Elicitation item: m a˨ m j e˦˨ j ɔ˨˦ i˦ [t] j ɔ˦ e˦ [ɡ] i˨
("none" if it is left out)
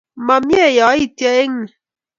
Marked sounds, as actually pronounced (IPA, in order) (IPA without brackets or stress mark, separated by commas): t, ŋ